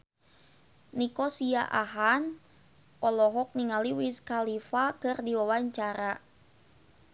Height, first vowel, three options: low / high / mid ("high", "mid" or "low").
high